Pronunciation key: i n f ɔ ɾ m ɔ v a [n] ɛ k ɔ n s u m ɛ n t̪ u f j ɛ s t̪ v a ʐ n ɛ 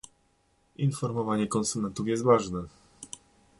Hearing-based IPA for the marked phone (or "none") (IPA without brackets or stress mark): ɲ